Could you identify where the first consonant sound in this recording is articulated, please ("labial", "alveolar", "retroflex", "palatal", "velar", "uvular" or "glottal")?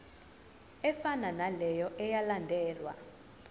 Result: labial